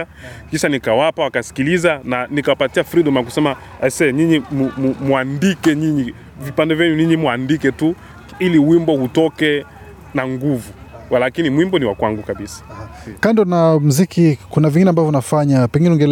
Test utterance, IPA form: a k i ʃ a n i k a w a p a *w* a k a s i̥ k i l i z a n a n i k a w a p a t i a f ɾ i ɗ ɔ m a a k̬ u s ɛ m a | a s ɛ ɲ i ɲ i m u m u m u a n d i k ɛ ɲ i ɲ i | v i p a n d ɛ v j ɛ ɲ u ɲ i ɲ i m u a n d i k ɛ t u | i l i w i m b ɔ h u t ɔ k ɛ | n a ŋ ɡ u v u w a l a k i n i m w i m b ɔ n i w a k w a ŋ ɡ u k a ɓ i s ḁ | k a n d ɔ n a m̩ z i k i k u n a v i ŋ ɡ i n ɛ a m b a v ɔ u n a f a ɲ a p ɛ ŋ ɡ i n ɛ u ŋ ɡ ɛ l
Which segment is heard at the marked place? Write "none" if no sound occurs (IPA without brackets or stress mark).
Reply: w